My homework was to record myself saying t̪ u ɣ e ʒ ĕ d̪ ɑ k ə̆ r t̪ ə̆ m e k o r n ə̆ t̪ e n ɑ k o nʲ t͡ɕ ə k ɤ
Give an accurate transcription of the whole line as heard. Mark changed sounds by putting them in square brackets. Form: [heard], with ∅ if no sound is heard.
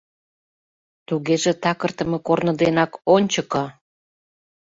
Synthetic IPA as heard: t̪ u ɣ e ʒ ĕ [t̪] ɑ k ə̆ r t̪ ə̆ m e k o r n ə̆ [d̪] e n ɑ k o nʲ t͡ɕ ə k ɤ